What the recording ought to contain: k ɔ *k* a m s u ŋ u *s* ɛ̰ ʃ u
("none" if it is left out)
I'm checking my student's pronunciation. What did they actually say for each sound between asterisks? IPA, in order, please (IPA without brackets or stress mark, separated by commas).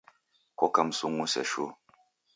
k, s